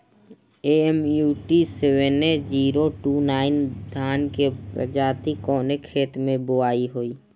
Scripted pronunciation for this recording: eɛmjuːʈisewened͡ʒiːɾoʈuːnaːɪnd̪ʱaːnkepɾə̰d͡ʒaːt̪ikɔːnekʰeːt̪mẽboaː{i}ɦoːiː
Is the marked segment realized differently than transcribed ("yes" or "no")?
no